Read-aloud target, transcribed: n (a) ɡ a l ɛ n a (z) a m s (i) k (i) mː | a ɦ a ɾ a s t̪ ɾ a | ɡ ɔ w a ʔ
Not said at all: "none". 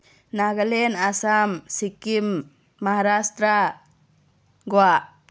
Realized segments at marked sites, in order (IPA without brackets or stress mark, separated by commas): a, s, i, i